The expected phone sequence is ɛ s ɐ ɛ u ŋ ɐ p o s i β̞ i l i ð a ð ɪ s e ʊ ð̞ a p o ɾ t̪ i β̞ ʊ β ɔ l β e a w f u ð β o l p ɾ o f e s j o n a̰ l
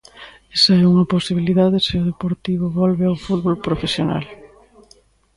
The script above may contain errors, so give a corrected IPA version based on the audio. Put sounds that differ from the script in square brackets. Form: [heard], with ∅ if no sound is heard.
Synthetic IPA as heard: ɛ s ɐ ɛ u ŋ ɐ p o s i β̞ i l i ð a ð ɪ s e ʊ ð̞ [e] p o ɾ t̪ i β̞ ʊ β ɔ l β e a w f u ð β o l p ɾ o f e s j o n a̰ l